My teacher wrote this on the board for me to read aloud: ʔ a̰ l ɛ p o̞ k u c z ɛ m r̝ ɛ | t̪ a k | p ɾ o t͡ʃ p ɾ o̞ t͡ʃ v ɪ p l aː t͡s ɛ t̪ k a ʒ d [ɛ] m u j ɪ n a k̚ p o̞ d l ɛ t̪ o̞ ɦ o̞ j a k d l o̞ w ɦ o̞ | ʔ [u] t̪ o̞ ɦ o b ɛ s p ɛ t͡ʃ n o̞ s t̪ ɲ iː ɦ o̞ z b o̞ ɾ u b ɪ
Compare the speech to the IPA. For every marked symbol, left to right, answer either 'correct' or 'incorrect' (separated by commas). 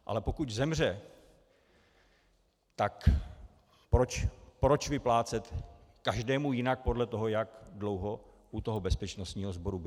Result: incorrect, correct